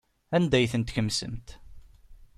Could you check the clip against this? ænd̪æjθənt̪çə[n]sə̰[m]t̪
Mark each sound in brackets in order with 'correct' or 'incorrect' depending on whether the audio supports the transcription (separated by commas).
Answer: incorrect, correct